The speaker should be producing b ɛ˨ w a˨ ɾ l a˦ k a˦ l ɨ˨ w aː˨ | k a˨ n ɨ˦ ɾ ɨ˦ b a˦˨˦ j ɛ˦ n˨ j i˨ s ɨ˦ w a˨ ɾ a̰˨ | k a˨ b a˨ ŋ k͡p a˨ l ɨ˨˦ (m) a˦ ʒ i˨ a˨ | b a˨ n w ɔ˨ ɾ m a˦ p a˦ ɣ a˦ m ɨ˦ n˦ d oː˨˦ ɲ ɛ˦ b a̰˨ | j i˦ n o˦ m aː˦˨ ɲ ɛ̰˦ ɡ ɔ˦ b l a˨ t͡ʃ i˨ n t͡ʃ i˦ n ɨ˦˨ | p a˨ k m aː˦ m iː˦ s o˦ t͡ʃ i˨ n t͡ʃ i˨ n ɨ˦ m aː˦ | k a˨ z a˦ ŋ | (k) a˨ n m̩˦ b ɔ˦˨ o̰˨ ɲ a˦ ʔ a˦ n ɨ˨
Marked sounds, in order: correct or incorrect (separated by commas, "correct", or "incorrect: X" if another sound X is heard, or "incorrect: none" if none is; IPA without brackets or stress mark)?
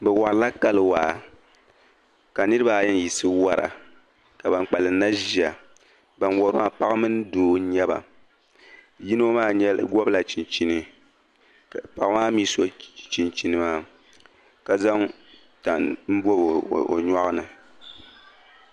incorrect: n, incorrect: t